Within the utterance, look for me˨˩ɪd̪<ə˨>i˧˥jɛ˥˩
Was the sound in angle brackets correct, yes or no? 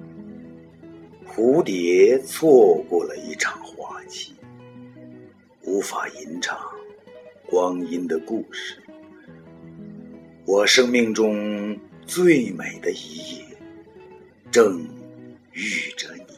no